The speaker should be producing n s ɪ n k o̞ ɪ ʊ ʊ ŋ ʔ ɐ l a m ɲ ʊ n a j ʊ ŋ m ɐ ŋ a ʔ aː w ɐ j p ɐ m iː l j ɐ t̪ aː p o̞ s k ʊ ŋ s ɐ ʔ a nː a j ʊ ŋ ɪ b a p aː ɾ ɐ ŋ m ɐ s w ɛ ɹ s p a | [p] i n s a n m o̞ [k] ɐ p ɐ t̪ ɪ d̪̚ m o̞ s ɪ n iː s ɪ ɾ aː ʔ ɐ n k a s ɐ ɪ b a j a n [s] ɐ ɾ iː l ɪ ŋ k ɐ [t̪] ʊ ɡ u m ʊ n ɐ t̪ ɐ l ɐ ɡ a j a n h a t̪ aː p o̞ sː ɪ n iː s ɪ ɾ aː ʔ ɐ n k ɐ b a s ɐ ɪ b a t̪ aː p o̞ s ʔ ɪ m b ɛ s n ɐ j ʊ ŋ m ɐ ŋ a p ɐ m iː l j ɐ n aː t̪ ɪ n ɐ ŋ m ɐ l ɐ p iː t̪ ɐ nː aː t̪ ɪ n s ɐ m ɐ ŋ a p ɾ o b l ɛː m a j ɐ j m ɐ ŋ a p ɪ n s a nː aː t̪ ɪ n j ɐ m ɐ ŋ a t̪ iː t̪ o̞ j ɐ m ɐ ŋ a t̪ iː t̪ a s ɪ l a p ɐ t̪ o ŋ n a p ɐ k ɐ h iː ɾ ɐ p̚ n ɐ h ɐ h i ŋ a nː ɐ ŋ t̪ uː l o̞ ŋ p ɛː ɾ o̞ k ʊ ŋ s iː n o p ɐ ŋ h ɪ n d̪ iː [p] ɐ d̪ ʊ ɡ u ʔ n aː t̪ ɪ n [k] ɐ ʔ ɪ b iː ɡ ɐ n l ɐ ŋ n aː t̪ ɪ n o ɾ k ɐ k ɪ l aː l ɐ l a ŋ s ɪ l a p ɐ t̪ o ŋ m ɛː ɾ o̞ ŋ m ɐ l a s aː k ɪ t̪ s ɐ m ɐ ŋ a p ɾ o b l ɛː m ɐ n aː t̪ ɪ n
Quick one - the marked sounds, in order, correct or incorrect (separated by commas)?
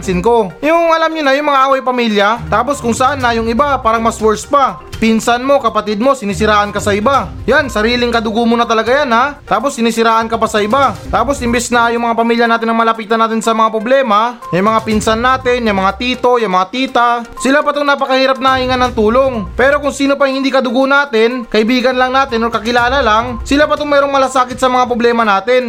correct, correct, correct, incorrect, incorrect, correct